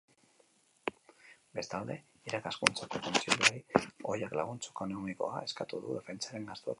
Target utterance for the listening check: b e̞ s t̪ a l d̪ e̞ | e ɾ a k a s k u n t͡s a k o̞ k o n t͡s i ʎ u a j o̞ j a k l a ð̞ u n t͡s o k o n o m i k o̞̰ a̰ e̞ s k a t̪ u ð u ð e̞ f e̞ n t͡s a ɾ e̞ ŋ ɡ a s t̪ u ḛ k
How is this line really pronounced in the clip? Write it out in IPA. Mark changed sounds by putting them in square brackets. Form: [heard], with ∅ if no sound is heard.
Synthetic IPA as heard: b e̞ s t̪ a l d̪ e̞ | [i] ɾ a k a s k u n t͡s a k o̞ k o n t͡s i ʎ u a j o̞ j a k l a [ɣ̞] u n t͡s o k o n o m i k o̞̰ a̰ e̞ s k a t̪ u ð u ð e̞ f e̞ n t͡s a ɾ e̞ ŋ ɡ a s t̪ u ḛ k